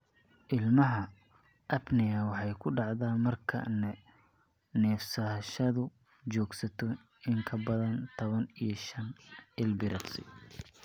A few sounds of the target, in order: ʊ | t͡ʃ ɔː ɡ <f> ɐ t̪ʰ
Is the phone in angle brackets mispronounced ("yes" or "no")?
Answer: yes